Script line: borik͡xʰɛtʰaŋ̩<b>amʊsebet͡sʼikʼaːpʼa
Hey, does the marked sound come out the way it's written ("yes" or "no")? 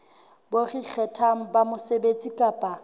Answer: yes